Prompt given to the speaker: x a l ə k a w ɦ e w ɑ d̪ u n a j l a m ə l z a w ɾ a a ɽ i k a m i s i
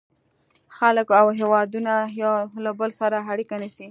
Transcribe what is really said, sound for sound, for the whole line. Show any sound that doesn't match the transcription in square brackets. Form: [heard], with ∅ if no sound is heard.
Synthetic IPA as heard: x a l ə k a w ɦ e w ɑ d̪ u n a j l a [b] ə l [s] a [∅] ɾ a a ɽ i k a [n] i s i